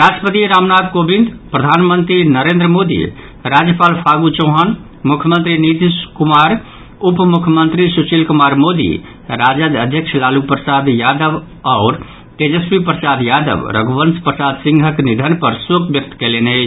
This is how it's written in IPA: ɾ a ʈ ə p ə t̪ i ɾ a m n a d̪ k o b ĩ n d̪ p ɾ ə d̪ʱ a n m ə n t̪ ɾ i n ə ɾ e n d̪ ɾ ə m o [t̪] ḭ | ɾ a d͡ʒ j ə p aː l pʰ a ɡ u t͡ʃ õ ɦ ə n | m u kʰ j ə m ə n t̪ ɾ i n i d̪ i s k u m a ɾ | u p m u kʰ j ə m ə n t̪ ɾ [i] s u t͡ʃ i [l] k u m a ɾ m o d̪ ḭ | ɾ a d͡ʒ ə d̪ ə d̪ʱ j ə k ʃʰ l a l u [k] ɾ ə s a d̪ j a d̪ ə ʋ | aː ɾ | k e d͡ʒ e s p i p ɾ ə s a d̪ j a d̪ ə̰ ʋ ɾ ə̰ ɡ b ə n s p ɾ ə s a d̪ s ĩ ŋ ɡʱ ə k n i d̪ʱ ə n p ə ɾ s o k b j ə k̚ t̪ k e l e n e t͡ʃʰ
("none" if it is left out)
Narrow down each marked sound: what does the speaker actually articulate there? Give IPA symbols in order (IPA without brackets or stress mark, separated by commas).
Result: d̪, i, l, p